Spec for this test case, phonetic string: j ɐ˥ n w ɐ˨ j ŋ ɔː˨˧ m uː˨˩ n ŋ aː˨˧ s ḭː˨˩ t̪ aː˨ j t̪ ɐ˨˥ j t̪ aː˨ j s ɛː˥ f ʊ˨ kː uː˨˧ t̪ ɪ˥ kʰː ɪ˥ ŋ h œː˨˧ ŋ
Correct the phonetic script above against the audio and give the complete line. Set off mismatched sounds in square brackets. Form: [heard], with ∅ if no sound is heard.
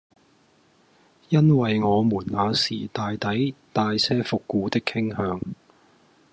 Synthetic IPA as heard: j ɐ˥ n w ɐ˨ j ŋ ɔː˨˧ m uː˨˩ n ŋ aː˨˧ s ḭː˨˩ t̪ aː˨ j t̪ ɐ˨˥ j t̪ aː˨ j s ɛː˥ f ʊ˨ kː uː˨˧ t̪ ɪ˥ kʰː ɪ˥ ŋ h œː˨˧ ŋ